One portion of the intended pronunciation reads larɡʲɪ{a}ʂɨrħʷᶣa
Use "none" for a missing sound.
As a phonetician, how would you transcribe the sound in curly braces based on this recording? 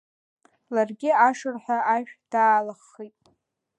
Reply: a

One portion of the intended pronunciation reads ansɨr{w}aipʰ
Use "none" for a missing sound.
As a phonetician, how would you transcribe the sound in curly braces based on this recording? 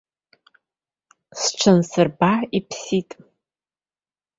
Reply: b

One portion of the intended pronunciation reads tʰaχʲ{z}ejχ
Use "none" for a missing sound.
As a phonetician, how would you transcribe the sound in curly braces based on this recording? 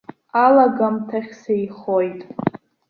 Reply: s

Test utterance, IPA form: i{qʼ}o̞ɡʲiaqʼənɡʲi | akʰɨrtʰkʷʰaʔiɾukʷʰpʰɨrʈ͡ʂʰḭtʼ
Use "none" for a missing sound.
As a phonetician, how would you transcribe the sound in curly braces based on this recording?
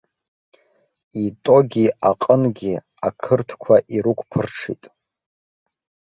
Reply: tʼ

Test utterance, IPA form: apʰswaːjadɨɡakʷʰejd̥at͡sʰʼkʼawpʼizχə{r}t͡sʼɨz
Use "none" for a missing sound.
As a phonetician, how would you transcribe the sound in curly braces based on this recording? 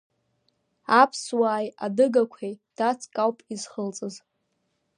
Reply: l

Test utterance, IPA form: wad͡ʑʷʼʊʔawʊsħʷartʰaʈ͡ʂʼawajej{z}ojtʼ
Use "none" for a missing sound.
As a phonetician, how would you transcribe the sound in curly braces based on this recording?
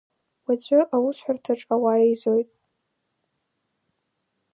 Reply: z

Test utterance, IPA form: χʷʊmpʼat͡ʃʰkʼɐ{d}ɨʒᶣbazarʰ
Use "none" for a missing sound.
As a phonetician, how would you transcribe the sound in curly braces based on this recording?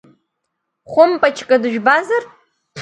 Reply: d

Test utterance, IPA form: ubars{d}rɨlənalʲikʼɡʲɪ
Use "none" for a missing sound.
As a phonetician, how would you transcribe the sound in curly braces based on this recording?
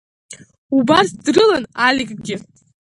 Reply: d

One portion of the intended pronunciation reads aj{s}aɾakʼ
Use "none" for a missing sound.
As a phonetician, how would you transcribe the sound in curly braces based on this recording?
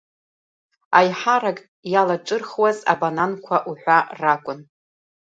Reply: ħ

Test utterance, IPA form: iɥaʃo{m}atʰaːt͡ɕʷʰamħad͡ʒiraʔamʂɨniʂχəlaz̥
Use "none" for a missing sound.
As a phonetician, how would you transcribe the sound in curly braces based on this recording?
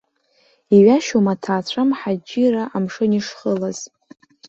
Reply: m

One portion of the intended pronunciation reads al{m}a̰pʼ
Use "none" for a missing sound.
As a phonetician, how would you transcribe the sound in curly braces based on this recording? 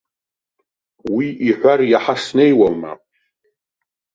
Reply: m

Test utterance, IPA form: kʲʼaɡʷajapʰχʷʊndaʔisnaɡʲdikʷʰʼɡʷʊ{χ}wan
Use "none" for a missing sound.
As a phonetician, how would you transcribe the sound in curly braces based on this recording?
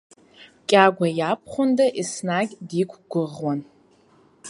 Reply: ʁ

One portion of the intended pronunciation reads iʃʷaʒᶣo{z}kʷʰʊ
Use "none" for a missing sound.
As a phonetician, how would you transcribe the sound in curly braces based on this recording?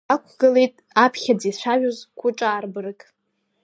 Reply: z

